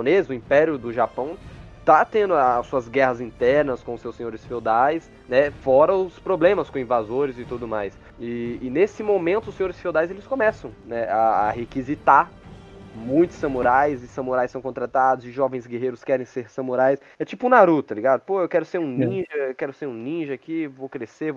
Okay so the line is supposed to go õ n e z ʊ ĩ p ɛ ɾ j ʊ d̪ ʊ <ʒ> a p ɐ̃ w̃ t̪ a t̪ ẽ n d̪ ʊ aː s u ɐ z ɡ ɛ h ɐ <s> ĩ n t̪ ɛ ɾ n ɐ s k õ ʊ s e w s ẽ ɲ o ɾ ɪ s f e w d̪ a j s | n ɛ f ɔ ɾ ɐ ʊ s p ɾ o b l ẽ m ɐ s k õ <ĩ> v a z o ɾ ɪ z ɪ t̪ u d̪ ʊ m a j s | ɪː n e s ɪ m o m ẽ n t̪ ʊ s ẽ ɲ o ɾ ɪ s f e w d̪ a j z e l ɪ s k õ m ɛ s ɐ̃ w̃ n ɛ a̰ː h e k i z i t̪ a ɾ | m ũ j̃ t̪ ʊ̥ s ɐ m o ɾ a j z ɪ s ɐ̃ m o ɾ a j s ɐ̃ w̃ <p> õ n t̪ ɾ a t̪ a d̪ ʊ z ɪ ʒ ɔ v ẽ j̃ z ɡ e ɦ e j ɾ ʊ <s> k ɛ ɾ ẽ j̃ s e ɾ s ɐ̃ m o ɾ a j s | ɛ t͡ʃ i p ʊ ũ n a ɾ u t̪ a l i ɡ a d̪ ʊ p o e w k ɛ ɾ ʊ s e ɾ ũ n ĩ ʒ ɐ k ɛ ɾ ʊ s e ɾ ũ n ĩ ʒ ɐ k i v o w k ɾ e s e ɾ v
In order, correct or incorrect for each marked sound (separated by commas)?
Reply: correct, incorrect, correct, incorrect, correct